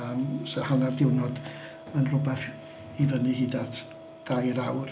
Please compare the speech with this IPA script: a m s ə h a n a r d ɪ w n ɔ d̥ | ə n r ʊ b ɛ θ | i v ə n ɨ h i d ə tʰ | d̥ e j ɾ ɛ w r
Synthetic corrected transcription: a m s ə h a n a r d ɪ w n ɔ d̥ | ə n r ʊ b ɛ θ | i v ə n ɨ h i d a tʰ | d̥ a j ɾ a w r